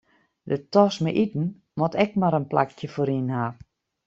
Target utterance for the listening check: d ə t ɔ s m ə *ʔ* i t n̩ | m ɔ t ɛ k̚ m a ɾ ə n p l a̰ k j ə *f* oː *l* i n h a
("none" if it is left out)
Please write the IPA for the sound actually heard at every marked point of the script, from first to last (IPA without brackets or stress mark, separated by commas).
ʔ, f, ɾ